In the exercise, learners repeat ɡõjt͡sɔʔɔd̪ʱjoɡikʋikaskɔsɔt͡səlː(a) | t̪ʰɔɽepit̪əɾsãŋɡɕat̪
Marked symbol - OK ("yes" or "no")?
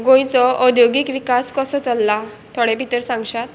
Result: yes